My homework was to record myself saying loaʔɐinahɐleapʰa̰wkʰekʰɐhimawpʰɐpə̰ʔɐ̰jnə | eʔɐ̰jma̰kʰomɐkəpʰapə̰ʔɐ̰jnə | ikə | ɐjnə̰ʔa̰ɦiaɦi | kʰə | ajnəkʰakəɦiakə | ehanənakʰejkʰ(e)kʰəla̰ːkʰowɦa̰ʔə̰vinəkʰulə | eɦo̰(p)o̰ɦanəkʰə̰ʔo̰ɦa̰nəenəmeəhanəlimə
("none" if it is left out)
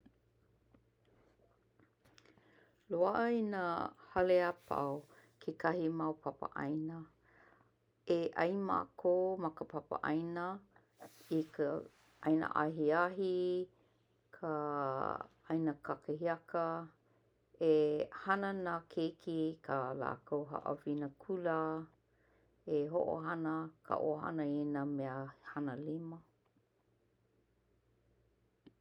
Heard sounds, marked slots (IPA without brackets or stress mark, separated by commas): i, ʔ